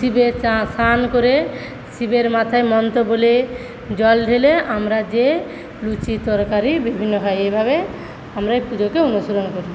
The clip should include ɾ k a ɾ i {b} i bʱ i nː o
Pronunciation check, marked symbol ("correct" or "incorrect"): correct